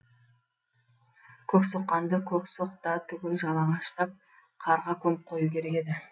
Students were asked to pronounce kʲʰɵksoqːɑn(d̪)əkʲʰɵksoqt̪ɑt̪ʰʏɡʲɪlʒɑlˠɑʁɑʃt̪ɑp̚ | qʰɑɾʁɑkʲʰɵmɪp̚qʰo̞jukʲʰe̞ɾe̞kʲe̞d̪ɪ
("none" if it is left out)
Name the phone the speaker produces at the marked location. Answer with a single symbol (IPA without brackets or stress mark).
d̪